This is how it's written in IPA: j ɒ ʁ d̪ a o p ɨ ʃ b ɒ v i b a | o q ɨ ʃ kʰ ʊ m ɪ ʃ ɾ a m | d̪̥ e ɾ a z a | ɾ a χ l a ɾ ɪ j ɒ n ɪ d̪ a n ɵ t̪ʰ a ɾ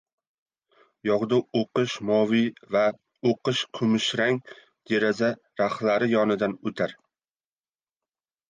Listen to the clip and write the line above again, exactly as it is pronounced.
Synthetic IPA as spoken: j ɒ ʁ d̪ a o q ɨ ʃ m ɒ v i v a | o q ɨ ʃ kʰ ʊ m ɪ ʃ ɾ a ŋ | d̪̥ e ɾ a z a | ɾ a χ l a ɾ ɪ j ɒ n ɪ d̪ a n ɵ t̪ʰ a ɾ